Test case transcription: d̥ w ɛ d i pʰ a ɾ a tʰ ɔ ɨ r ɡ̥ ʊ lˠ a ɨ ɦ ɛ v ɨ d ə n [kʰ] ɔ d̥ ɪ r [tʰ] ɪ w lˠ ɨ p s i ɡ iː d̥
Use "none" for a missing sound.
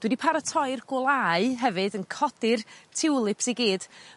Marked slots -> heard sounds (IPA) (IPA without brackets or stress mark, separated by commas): kʰ, tʰ